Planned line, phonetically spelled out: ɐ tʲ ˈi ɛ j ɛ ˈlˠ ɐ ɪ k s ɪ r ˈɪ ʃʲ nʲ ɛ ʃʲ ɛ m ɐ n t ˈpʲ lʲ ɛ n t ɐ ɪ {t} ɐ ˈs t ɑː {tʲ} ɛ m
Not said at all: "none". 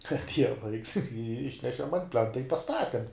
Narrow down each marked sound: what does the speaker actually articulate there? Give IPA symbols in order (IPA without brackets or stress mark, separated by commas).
p, tʲ